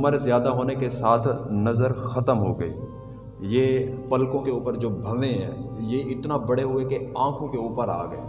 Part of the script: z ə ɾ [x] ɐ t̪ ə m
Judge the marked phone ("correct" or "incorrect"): correct